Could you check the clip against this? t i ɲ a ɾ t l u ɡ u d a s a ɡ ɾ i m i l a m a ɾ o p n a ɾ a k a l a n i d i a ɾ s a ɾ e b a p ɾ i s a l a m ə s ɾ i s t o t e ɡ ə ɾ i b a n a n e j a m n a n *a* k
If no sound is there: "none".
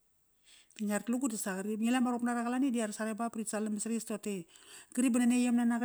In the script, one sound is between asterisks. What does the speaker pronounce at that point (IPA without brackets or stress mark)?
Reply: a